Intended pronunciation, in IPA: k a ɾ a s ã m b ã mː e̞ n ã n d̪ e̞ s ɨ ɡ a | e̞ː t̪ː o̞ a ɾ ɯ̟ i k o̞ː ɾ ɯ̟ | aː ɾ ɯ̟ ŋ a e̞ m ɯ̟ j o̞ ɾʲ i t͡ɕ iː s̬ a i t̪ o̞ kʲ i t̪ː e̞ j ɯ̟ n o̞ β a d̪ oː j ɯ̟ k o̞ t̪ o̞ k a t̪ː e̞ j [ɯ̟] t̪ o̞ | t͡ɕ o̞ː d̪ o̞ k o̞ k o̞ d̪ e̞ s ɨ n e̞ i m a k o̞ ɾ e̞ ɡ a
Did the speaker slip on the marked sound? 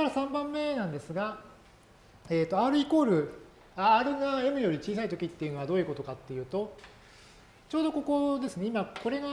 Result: yes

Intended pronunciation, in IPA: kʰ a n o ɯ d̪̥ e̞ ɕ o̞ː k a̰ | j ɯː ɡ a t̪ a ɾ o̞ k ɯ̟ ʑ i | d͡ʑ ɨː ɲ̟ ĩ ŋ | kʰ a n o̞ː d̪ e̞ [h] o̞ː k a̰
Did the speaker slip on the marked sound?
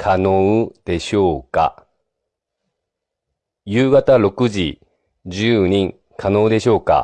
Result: yes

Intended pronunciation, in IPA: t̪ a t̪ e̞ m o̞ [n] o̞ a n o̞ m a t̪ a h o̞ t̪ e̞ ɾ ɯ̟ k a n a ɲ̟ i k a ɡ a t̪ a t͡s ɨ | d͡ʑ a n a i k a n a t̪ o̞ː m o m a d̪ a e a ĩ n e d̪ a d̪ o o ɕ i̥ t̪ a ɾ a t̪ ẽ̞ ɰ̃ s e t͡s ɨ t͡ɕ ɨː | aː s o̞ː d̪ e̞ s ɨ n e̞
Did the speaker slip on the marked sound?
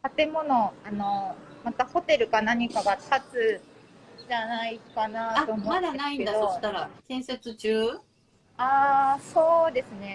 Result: no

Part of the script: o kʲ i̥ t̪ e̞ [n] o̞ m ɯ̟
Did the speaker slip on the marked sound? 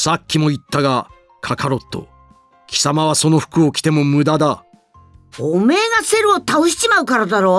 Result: yes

